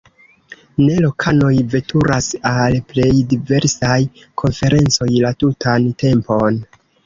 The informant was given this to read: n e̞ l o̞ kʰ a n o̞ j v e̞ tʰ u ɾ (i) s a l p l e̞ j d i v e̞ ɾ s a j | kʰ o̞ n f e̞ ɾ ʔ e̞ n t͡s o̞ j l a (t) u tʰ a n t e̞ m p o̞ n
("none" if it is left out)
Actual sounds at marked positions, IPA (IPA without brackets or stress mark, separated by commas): a, t